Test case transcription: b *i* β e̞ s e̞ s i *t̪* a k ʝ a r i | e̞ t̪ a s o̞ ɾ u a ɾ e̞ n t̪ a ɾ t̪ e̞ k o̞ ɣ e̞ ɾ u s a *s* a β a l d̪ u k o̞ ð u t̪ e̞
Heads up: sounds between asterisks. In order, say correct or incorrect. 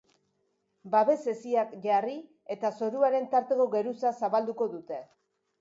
incorrect: a, incorrect: none, correct

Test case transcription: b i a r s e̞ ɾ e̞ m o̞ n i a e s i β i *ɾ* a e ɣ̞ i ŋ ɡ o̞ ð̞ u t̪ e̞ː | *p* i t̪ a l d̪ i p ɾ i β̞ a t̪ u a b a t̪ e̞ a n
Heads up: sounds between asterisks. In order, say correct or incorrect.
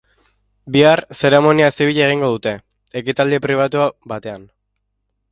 incorrect: ʎ, incorrect: k

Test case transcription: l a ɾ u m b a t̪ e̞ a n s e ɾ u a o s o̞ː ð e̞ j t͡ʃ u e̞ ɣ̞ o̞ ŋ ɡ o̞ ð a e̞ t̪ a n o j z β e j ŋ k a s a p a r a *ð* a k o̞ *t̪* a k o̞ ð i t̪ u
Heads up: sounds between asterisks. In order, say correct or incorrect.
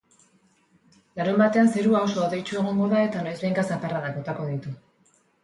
correct, correct

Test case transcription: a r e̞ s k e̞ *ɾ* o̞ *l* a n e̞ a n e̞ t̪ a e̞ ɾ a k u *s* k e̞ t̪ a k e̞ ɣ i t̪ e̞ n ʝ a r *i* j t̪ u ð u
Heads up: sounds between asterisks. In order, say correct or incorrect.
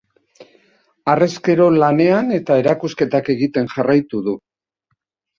correct, correct, correct, incorrect: a

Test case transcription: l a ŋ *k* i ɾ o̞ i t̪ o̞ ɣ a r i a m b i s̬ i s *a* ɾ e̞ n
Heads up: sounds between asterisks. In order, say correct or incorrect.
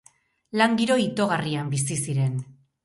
incorrect: ɡ, incorrect: i

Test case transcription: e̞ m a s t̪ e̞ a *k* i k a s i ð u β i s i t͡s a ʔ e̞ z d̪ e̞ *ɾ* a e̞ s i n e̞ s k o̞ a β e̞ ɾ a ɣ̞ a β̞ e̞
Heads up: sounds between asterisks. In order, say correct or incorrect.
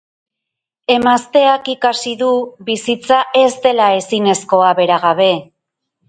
correct, incorrect: l

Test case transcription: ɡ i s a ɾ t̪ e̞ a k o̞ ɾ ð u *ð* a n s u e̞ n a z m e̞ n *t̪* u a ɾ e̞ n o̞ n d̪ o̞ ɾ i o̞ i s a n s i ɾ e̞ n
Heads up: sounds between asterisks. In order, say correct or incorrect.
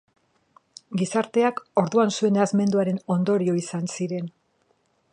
incorrect: none, incorrect: d̪

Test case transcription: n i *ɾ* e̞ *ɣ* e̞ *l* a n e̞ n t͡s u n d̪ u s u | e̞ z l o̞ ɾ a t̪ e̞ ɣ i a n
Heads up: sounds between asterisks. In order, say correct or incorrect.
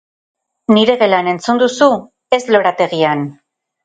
correct, correct, correct

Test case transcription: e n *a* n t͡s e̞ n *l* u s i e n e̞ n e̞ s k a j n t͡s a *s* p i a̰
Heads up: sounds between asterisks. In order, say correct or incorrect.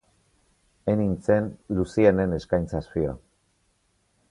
incorrect: i, correct, correct

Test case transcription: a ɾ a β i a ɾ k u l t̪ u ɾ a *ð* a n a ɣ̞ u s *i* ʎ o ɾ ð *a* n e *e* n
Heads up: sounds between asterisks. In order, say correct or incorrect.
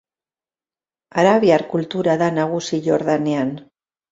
correct, correct, correct, incorrect: a

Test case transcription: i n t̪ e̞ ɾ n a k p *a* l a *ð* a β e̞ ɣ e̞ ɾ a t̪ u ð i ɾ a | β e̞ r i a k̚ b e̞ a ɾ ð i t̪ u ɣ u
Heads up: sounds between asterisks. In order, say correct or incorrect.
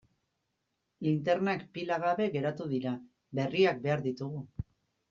incorrect: i, incorrect: ɣ

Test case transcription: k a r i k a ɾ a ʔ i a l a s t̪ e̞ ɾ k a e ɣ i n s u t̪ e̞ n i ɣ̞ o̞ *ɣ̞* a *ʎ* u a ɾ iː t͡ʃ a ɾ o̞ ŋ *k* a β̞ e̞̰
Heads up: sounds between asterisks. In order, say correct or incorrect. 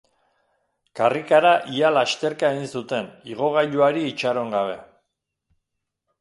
correct, correct, incorrect: ɡ

